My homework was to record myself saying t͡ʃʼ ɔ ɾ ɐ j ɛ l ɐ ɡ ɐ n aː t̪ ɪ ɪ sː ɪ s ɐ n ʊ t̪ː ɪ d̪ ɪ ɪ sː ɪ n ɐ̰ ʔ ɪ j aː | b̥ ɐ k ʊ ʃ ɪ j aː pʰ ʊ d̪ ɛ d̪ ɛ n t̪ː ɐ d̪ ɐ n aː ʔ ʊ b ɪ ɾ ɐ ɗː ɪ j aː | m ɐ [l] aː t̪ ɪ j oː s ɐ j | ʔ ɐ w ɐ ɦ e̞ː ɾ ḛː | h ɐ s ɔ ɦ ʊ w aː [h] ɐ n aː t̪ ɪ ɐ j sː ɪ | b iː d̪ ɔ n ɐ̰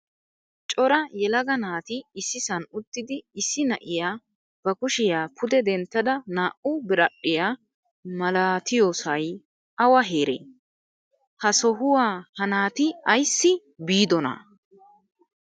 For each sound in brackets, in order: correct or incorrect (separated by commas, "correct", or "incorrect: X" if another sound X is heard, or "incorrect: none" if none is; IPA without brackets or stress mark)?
correct, correct